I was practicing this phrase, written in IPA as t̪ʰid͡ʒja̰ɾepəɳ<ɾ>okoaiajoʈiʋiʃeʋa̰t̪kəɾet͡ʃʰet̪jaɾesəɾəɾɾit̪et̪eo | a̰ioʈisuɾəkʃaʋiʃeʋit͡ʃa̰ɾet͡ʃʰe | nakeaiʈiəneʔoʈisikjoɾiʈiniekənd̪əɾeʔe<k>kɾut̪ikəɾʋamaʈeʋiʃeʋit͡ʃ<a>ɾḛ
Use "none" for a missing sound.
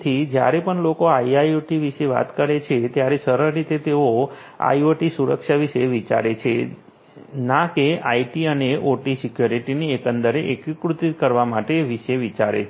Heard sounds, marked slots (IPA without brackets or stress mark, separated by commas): l, k, a